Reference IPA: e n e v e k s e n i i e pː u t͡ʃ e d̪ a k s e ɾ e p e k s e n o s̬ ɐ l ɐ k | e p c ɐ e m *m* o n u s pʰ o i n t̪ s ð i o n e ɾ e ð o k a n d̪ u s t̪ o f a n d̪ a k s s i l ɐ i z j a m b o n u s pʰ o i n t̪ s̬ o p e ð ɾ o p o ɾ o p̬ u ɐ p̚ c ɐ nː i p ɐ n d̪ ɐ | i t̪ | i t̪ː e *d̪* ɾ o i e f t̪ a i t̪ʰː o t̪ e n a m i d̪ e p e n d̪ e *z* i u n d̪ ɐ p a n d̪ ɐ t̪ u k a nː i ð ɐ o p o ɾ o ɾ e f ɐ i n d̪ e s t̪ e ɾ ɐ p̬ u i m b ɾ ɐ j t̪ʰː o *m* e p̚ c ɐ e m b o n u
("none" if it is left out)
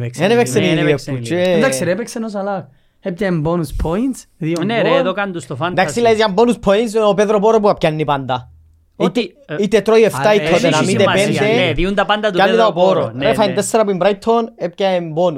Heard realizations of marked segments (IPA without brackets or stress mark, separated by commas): b, t̪, ð, n